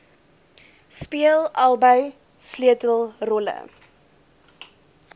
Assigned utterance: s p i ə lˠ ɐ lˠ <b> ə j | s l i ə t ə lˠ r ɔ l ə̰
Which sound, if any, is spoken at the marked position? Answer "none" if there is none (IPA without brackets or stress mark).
b